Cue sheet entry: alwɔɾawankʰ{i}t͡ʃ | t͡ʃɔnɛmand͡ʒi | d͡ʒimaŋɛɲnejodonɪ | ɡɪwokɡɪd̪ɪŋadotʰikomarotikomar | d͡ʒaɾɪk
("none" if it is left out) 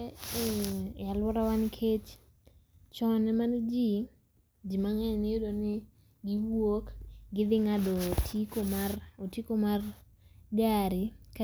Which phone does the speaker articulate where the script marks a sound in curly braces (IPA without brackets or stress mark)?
e